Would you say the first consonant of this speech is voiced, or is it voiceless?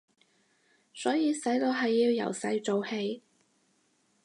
voiceless